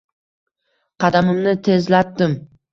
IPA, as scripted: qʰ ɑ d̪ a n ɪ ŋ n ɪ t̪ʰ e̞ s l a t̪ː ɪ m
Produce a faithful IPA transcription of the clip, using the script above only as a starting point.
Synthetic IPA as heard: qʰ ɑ d̪ a m ɪ m n ɪ t̪ʰ e̞ z l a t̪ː ɪ m